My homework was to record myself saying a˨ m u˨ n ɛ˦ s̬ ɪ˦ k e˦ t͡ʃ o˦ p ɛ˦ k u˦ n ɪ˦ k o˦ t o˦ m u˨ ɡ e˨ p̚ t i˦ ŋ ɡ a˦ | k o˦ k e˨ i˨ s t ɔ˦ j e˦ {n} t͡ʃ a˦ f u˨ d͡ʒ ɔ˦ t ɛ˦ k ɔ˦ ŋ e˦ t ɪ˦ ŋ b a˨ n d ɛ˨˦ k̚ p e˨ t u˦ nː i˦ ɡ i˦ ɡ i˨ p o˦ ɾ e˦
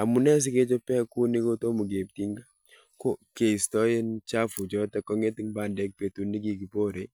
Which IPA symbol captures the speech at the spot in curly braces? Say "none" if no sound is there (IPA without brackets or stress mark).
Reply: n